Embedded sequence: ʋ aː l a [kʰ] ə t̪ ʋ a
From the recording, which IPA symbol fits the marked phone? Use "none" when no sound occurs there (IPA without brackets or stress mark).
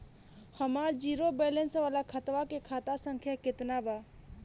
kʰ